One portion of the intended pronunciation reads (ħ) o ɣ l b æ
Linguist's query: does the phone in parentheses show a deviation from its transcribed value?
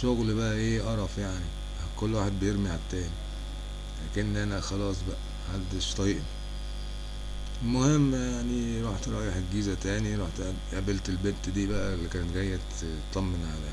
yes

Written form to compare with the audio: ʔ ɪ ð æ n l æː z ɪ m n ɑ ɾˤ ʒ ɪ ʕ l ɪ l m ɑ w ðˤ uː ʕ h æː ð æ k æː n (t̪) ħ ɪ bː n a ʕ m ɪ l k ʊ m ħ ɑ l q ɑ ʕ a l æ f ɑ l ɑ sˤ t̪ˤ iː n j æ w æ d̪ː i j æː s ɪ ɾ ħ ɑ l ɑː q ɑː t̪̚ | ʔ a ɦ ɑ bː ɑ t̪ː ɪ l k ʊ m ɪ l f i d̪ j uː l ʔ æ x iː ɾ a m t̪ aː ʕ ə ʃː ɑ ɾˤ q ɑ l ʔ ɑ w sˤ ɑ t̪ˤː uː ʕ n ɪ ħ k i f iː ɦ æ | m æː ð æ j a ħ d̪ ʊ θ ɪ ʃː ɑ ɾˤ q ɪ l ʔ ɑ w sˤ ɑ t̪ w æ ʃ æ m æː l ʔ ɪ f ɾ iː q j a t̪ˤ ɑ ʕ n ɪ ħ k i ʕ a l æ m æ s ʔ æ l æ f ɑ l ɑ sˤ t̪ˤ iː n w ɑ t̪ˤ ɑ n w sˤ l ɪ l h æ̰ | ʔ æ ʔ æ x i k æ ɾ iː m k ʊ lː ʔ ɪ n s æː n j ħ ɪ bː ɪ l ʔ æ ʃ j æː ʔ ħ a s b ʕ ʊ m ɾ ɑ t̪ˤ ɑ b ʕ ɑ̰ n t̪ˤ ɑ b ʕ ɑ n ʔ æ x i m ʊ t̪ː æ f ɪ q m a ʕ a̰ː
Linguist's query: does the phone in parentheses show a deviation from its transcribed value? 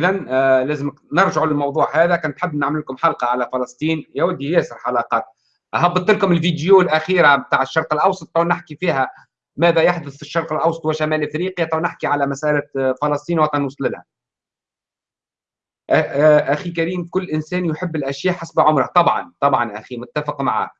no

